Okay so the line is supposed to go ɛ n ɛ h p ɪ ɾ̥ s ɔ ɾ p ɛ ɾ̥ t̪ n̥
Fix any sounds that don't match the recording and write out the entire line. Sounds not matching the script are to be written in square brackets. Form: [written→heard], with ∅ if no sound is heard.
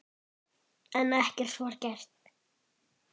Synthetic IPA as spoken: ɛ n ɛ h [p→c] ɪ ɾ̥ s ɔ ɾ [p→c] ɛ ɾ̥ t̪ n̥